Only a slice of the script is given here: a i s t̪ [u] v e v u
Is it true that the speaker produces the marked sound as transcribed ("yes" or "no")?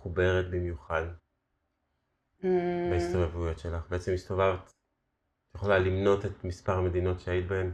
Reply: no